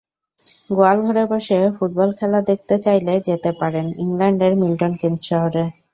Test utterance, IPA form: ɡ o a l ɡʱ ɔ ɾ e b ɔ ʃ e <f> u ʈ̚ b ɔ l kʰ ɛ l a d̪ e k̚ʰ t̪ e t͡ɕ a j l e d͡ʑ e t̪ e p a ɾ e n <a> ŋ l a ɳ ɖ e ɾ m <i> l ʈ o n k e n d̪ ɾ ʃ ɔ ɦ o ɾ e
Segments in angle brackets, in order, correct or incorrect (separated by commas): correct, incorrect, correct